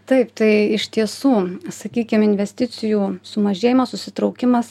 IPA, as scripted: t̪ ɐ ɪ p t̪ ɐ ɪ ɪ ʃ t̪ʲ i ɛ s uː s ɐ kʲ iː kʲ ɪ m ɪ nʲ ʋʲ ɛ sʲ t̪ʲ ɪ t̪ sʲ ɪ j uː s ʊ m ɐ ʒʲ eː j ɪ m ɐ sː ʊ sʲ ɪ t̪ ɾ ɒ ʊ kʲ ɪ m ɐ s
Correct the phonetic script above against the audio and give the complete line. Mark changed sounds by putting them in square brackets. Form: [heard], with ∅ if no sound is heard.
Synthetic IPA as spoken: t̪ ɐ ɪ p t̪ ɐ ɪ ɪ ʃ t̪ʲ i ɛ s uː s ɐ kʲ iː kʲ ɪ m ɪ nʲ ʋʲ ɛ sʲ t̪ʲ ɪ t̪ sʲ ɪ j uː s ʊ m ɐ ʒʲ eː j ɪ m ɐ [s] ʊ sʲ ɪ t̪ ɾ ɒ ʊ kʲ ɪ m ɐ s